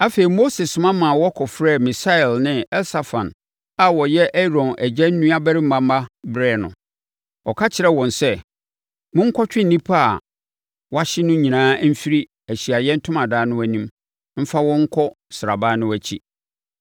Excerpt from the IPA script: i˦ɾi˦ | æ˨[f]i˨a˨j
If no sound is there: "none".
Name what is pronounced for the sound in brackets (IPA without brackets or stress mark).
ɕ